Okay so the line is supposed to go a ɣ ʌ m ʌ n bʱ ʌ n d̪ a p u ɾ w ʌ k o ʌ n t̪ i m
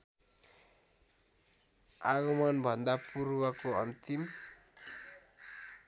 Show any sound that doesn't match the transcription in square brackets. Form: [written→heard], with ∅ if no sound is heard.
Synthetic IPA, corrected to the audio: a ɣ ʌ m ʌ n bʱ ʌ n d̪ a p u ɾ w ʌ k o ʌ n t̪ i m